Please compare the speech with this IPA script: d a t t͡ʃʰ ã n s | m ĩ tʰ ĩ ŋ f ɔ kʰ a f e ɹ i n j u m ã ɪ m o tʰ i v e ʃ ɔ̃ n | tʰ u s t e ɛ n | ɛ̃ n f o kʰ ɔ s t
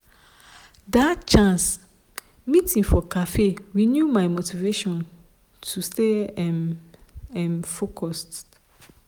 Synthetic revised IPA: d a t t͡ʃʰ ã n s | m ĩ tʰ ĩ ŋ f ɔ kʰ a f e ɹ i n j u m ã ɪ m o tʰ i v e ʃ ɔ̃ n | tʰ u s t e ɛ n | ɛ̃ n f o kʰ ɔ s t